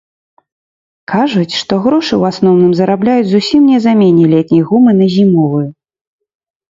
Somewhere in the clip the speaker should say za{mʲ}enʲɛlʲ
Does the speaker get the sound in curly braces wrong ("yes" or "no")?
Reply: no